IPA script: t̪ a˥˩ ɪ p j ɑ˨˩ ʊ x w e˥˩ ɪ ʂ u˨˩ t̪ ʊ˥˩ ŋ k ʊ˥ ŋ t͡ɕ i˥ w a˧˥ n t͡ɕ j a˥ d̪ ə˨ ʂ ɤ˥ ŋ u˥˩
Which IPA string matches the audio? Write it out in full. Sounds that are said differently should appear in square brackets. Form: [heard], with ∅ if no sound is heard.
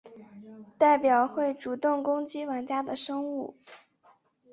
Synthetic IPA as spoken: t̪ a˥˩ ɪ p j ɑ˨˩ ʊ x w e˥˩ ɪ [ʈ͡ʂ] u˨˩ t̪ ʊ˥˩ ŋ k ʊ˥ ŋ t͡ɕ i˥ w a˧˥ n t͡ɕ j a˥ d̪ ə˨ ʂ ɤ˥ ŋ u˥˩